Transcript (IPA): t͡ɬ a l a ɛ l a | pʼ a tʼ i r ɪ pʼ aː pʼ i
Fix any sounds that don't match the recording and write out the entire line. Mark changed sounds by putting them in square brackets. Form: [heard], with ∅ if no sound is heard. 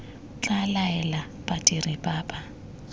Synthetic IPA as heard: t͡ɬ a l a ɛ l a | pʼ a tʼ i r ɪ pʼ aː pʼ [a]